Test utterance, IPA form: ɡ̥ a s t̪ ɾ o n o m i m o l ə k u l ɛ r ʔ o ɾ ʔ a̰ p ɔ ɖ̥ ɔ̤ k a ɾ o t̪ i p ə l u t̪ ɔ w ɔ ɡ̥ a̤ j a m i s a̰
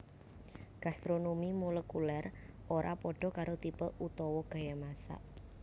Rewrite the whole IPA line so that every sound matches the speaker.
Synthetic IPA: ɡ̥ a s t̪ ɾ o n o m i m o l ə k u l ɛ r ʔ o ɾ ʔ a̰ p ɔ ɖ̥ ɔ̤ k a ɾ o t̪ i p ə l u t̪ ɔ w ɔ ɡ̥ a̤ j a m a s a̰

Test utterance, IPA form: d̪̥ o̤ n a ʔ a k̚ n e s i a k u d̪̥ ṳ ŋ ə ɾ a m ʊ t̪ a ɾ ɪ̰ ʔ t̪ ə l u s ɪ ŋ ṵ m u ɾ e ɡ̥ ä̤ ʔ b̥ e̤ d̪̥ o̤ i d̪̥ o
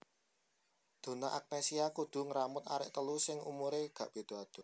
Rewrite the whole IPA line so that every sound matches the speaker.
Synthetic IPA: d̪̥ o̤ n a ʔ a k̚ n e s i a k u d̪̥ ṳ ŋ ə ɾ a m ʊ t̪ a ɾ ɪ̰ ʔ t̪ ə l u s ɪ ŋ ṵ m u ɾ e ɡ̥ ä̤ ʔ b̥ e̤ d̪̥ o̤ a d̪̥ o

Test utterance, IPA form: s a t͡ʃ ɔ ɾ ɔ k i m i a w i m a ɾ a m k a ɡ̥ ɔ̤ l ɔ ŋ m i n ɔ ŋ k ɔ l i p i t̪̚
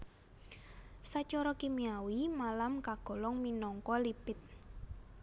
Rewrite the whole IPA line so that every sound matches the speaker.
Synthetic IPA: s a t͡ʃ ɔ ɾ ɔ k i m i a w i m a l a m k a ɡ̥ ɔ̤ l ɔ ŋ m i n ɔ ŋ k ɔ l i p ɪ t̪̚

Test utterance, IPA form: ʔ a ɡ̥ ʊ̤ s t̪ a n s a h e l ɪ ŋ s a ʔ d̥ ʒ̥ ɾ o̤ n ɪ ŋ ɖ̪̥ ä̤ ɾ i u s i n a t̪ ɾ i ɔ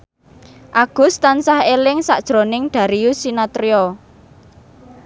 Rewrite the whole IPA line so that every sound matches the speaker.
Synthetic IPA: ʔ a ɡ̥ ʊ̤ s t̪ a n s a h e l ɪ ŋ s a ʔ d̥ ʒ̥ ɾ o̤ n ɪ ŋ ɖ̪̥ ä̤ ɾ i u s i n a t̪ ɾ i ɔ

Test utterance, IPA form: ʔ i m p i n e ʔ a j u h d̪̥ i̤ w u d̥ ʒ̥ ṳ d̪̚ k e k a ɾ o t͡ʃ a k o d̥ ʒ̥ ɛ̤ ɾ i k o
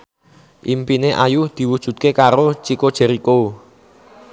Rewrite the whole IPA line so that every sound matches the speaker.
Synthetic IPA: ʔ i m p i n e ʔ a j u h d̪̥ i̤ w u d̥ ʒ̥ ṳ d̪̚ k e k a ɾ o t͡ʃ i k o d̥ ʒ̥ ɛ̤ ɾ i k o

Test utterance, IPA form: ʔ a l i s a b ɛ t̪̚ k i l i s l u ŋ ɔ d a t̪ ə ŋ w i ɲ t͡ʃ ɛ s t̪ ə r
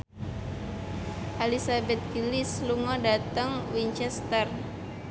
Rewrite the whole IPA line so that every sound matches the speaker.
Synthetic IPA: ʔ a l i s a b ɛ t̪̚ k i l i s l u ŋ ɔ d a t̪ ə ŋ w i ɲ t͡ʃ ɛ s t̪ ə r

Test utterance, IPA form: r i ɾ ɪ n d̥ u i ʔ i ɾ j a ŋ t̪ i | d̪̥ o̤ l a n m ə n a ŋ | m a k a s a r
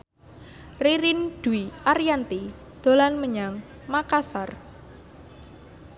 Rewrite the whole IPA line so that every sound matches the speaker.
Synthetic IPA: r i ɾ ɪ n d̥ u i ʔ a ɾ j a n t̪ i | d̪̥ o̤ l a n m ə ɲ a ŋ | m a k a s a r

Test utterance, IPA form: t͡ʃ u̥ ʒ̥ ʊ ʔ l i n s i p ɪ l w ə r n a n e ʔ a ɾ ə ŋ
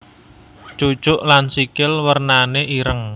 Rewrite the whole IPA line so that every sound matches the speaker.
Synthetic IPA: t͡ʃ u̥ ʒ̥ ʊ ʔ l a n s i k ɪ l w ə r n a n e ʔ i ɾ ə ŋ

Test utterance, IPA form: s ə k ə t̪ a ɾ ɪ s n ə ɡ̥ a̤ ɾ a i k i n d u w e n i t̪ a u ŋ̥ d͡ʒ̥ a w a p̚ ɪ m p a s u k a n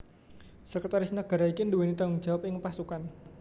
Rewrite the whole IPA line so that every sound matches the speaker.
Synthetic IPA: s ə k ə t̪ a ɾ ɪ s n ə ɡ̥ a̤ ɾ a i k i n d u w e n i t̪ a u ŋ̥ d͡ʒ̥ a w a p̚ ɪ ŋ p a s u k a n

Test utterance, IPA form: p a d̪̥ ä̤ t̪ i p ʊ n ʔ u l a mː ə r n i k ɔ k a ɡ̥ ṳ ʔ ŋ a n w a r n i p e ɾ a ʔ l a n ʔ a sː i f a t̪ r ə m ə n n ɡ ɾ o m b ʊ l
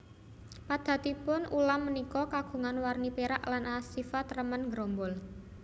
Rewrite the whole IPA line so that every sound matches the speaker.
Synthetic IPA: p a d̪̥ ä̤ t̪ i p ʊ n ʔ u l a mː ə n i k ɔ k a ɡ̥ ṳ ŋ a n w a r n i p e ɾ a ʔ l a n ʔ a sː i f a t̪ r ə m ə n ŋ ɡ ɾ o m b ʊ l

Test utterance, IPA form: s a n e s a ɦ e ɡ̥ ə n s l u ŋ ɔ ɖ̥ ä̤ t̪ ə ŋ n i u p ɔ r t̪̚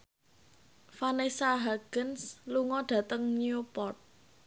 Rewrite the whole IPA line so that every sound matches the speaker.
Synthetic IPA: f a n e s a ɦ a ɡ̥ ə n s l u ŋ ɔ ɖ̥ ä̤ t̪ ə ŋ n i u p ɔ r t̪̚

